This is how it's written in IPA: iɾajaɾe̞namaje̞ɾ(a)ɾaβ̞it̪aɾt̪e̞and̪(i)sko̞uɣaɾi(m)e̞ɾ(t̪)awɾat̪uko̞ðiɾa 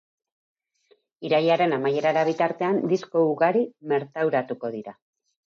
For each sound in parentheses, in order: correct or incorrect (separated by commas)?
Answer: correct, correct, correct, correct